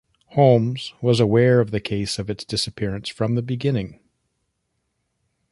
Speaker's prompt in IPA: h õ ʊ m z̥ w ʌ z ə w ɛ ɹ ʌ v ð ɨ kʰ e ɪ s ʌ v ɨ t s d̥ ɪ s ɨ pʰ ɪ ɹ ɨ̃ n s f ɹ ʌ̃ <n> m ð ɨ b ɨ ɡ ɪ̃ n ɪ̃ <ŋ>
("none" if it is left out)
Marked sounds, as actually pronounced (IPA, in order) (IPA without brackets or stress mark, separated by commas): none, ŋ